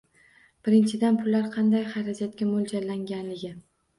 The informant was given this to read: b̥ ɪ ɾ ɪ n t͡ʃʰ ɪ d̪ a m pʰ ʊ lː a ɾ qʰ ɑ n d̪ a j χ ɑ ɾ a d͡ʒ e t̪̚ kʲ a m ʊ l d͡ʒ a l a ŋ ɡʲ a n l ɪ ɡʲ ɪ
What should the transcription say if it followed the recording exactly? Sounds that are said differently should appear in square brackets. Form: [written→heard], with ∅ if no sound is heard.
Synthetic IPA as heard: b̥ ɪ ɾ ɪ n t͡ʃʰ ɪ d̪ a [m→n] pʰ ʊ lː a ɾ qʰ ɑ n d̪ a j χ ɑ ɾ a d͡ʒ [e→a] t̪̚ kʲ a m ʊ l d͡ʒ a l a ŋ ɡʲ a n l ɪ ɡʲ ɪ